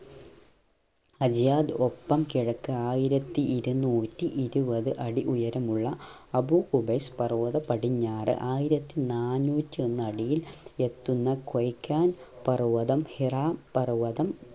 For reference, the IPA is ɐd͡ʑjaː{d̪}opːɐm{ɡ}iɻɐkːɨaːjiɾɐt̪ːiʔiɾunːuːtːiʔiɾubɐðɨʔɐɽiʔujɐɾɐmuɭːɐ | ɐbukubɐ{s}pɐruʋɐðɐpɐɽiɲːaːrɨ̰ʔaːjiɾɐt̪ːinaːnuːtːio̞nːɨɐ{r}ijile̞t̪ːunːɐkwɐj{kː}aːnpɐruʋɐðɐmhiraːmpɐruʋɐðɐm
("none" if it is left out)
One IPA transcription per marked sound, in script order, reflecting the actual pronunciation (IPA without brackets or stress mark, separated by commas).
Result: d̪, k, s, ɽ, kː